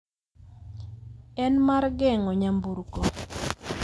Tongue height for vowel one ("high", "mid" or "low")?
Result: mid